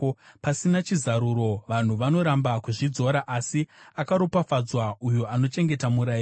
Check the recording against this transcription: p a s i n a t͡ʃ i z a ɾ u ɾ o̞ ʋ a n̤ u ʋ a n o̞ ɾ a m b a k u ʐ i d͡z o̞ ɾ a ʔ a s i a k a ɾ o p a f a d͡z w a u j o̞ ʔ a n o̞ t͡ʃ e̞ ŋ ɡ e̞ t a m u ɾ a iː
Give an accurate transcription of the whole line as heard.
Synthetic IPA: p a s i n a t͡ʃ i z a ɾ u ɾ o̞ ʋ a n̤ u ʋ a n o̞ ɾ a m b a k u ʐ i d͡z o̞ ɾ a ʔ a s i a k a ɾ o p a f a d͡z w a u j o̞ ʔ a n o̞ t͡ʃ e̞ ŋ ɡ e̞ t a m u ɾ a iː